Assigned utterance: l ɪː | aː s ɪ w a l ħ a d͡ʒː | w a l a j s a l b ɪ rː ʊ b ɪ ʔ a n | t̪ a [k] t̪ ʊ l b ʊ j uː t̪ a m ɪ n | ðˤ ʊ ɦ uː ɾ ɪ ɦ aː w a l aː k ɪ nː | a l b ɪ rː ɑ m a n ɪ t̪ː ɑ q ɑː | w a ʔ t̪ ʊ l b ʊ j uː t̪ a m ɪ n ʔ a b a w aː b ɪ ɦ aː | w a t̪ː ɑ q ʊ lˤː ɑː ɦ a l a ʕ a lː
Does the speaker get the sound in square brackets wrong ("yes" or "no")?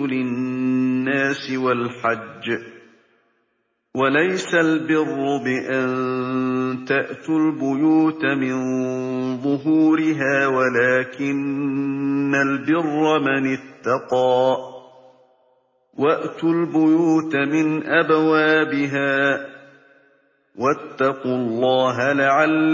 yes